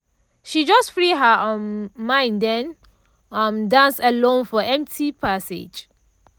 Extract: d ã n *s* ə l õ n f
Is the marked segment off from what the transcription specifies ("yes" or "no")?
no